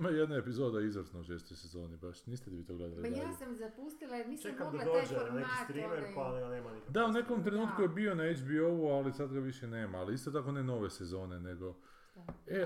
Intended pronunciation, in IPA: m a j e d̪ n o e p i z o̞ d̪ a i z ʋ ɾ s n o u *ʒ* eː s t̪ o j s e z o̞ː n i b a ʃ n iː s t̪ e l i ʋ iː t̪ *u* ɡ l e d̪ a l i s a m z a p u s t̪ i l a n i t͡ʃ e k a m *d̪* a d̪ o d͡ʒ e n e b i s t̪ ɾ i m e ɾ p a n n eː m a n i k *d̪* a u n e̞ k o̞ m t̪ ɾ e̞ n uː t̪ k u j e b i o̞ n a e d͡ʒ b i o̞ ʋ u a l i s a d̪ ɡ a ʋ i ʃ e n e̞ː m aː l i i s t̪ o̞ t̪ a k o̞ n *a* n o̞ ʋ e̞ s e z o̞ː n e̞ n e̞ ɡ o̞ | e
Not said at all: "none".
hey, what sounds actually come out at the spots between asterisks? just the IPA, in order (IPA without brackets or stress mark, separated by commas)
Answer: ʃ, o, d̪, d̪, e